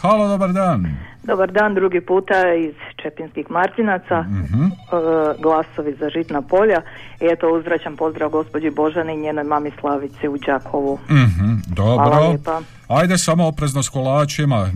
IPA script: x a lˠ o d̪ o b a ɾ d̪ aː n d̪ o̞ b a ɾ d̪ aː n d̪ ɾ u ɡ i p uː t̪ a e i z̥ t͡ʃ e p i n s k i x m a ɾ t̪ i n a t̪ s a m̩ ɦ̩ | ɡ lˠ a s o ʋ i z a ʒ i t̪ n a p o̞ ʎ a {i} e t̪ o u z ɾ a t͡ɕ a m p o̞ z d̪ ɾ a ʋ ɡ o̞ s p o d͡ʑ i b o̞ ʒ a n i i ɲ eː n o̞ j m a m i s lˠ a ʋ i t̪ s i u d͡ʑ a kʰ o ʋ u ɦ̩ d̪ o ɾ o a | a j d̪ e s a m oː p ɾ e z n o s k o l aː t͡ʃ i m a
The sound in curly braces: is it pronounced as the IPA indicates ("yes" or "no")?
yes